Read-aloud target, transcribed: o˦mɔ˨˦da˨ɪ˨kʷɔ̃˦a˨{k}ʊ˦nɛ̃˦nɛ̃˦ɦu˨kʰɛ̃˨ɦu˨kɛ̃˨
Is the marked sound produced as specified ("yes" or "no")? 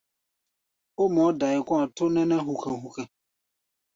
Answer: no